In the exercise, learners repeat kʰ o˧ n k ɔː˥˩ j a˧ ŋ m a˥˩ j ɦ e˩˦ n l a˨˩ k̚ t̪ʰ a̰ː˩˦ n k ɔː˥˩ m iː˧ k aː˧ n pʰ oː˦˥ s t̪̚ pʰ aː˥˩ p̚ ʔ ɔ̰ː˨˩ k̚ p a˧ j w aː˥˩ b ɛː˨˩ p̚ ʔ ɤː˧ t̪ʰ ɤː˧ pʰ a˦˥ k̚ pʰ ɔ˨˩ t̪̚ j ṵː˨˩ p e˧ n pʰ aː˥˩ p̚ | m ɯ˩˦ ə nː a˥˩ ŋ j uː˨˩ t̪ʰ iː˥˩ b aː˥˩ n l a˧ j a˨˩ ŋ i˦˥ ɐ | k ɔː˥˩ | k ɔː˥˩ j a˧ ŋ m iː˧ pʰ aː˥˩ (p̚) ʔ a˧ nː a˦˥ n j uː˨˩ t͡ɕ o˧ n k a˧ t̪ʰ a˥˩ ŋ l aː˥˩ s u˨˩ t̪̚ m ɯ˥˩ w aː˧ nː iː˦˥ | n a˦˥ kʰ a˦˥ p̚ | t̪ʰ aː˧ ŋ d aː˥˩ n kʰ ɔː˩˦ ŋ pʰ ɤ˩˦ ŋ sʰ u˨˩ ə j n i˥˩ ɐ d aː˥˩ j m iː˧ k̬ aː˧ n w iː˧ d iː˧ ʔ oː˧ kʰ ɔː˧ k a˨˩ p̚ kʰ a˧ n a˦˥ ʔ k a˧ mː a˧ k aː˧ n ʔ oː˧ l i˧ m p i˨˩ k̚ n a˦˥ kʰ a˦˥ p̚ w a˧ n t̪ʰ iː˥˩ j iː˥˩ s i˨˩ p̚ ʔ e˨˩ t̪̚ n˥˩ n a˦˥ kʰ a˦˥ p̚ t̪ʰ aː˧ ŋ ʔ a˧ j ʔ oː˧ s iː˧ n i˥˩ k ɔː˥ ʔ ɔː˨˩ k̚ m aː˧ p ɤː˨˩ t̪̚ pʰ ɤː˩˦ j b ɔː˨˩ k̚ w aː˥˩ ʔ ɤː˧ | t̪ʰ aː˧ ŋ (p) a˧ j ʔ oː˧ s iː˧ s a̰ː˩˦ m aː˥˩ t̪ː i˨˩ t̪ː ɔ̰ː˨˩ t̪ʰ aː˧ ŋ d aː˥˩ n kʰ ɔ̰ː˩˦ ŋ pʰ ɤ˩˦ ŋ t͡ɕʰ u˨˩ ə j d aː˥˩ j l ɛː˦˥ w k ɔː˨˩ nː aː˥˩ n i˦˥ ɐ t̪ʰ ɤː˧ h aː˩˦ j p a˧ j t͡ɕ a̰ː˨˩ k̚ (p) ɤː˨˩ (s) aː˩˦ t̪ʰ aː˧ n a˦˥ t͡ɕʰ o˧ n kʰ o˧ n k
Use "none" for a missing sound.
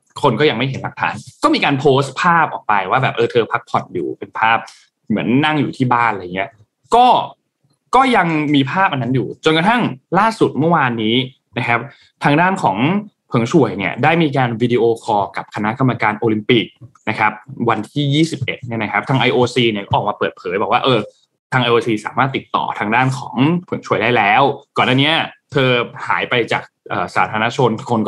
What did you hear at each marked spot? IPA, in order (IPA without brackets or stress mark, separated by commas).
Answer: p̚, ʔ, ʔ, s